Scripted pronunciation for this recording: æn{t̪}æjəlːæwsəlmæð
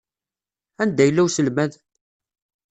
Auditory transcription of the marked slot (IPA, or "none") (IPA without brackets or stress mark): d̪